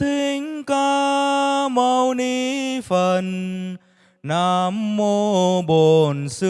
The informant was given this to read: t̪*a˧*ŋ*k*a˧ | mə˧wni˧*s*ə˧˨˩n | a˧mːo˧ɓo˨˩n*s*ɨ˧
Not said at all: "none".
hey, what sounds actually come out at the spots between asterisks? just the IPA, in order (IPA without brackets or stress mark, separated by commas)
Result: i˧, k, f, s